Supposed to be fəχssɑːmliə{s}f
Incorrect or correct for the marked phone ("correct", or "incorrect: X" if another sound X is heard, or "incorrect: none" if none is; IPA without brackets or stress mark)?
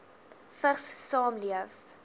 incorrect: none